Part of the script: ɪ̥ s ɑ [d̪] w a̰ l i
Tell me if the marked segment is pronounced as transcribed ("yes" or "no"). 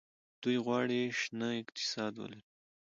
yes